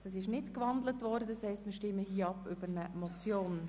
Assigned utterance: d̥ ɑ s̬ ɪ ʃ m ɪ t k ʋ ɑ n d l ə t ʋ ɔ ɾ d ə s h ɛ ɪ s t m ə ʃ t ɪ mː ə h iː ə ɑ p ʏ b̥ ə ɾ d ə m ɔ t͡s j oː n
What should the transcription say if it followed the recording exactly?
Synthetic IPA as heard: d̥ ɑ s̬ ɪ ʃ n ɪ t k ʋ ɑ n d l ə t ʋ ɔ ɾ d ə s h ɛ ɪ s t m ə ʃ t ɪ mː ə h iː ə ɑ p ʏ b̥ ə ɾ n ə m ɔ t͡s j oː n